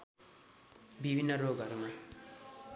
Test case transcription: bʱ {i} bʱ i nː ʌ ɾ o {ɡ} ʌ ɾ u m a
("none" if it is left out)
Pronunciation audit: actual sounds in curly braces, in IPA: i, ɡ

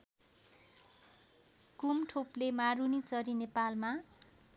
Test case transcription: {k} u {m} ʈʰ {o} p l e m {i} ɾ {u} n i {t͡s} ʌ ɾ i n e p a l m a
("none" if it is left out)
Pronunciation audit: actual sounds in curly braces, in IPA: k, m, o, a, u, t͡s

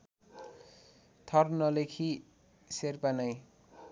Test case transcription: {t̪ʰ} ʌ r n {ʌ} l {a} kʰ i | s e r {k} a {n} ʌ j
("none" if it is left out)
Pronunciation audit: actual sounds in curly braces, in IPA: t̪ʰ, ʌ, e, p, n

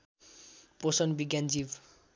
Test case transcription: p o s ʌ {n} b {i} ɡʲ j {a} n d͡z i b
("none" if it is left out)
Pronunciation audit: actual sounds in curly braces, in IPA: n, i, a

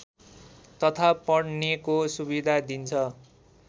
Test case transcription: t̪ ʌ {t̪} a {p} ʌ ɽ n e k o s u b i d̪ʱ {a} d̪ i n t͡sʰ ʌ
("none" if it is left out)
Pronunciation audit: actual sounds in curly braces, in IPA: t̪ʰ, p, a

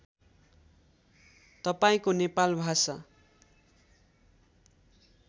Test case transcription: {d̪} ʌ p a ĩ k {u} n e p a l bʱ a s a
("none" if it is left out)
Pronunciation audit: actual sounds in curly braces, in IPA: t̪, o

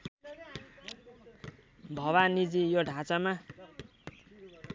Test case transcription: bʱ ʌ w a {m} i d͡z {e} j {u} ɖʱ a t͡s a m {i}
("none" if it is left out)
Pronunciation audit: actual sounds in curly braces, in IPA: n, i, o, a

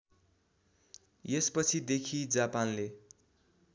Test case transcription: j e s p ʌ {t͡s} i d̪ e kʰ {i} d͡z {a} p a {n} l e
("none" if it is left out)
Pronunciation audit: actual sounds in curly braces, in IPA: t͡sʰ, i, a, n

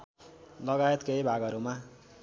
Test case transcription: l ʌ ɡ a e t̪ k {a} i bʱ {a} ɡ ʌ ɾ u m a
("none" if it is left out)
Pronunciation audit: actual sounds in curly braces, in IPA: e, a

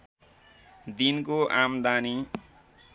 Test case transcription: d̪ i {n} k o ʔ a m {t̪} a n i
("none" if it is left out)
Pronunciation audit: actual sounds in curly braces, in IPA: n, d̪

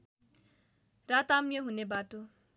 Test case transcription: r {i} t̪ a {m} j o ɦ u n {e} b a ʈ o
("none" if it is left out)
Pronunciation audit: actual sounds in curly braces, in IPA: a, m, e

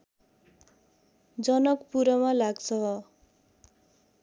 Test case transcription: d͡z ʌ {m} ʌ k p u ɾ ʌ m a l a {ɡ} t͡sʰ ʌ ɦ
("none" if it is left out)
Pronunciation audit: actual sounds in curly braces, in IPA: n, ɡ

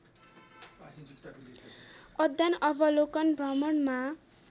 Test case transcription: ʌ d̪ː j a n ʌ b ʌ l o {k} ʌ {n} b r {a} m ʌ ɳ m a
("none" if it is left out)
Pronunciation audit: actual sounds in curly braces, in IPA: k, n, ʌ

